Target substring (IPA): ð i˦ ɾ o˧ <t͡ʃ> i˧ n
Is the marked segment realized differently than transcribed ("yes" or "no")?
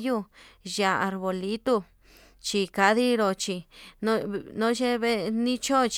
no